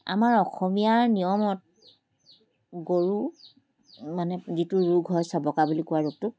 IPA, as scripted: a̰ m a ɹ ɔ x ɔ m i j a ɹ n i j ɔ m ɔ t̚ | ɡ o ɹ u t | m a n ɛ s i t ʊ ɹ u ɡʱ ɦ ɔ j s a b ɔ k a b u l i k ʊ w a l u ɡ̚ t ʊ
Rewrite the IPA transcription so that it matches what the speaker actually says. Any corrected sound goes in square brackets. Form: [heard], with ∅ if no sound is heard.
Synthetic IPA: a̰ m a ɹ ɔ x ɔ m i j a ɹ n i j ɔ m ɔ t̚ | ɡ o ɹ u [∅] | m a n ɛ [z] i t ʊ ɹ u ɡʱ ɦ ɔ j s a b ɔ k a b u l i k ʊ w a [ɹ] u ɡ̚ t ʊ